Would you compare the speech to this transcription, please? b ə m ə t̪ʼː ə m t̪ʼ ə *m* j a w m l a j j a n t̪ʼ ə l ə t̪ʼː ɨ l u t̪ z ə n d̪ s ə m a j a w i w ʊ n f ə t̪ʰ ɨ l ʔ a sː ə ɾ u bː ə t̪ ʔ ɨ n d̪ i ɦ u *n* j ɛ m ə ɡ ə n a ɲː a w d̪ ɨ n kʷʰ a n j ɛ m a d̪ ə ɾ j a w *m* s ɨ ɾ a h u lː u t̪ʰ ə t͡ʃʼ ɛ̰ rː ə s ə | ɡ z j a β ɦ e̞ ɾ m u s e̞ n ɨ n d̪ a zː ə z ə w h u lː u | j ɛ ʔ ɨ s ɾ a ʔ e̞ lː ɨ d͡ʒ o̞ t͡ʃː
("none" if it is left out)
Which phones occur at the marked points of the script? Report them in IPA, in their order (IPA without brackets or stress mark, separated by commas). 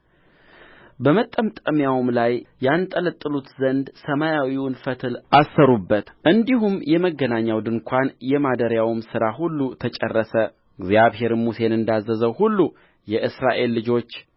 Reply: m, m, m